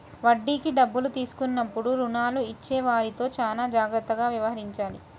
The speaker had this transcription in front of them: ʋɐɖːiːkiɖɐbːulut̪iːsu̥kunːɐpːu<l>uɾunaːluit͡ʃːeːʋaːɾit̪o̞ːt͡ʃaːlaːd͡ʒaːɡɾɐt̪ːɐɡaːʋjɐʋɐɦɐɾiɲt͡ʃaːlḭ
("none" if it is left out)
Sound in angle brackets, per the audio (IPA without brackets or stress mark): ɽ